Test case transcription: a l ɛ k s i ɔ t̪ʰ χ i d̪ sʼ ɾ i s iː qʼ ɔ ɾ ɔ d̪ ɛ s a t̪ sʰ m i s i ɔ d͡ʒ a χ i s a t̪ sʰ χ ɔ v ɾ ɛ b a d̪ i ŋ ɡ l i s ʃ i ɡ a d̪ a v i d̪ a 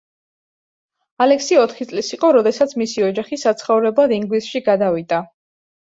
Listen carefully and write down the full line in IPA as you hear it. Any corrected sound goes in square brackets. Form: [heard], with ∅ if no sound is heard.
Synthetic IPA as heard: a l ɛ k s i ɔ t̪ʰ χ i [t̪] sʼ [l] i s [i] qʼ ɔ ɾ ɔ d̪ ɛ s a t̪ sʰ m i s i ɔ d͡ʒ a χ i s a t̪ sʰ χ ɔ v ɾ ɛ b a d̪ i ŋ ɡ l i s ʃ i ɡ a d̪ a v i d̪ a